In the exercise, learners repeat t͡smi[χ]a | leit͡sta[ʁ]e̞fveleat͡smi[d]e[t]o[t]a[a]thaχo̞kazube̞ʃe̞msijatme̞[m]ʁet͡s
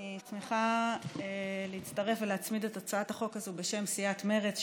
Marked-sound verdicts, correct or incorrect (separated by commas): correct, correct, correct, correct, incorrect, correct, incorrect